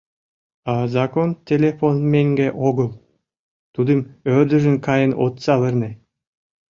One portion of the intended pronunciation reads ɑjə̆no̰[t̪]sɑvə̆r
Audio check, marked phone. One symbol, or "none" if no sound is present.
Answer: t̪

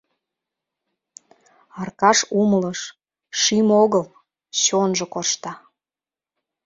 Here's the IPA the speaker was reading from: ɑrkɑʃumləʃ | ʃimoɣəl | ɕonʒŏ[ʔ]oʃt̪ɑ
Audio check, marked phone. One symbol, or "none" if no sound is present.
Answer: k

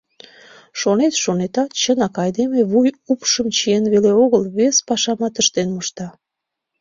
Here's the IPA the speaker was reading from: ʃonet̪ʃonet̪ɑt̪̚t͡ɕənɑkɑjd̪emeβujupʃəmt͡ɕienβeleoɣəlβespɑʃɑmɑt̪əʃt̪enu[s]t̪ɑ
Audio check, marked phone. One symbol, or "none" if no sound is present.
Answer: ʃ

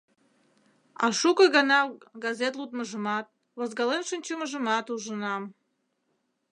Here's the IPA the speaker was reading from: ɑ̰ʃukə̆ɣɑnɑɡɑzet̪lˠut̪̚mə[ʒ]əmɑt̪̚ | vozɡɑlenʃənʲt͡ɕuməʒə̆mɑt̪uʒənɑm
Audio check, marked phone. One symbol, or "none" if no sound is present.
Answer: ʒ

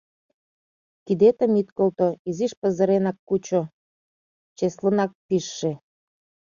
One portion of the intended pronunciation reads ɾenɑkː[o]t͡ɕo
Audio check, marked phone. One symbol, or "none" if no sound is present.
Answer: u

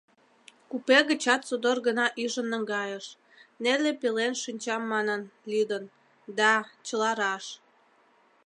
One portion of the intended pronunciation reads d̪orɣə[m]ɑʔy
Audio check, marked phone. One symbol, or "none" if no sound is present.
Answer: n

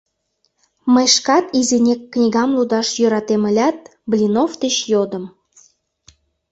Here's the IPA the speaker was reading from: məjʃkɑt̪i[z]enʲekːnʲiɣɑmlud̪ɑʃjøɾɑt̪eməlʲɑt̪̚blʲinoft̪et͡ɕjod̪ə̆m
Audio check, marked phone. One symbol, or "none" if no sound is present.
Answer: z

